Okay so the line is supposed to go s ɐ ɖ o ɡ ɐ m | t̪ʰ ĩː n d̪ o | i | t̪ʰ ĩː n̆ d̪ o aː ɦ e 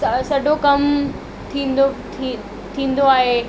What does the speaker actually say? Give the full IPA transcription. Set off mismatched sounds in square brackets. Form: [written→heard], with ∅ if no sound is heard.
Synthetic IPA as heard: s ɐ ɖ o [ɡ→k] ɐ m | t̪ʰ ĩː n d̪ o | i | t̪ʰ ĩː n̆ d̪ o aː ɦ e